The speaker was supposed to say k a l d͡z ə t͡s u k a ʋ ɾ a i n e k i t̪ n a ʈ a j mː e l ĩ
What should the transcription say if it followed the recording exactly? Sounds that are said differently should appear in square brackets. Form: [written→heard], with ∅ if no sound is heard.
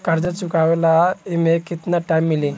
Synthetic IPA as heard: k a [l→ɾ] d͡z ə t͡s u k a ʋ [ɾ→l] a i [n→m] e k i t̪ n a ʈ a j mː [e→i] l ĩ